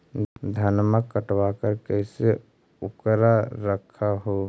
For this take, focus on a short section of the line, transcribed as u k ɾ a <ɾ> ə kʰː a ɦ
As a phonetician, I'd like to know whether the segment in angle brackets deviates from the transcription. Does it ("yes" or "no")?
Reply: no